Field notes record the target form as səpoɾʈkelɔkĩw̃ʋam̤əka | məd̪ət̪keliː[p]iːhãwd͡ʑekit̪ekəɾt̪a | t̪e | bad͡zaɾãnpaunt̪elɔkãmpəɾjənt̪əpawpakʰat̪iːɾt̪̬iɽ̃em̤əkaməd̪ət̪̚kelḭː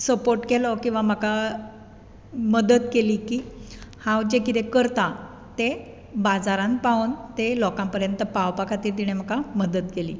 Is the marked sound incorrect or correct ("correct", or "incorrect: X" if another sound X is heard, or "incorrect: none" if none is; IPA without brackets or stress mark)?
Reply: incorrect: k